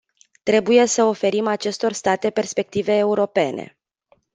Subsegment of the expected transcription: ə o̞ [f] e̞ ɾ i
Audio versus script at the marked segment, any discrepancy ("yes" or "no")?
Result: no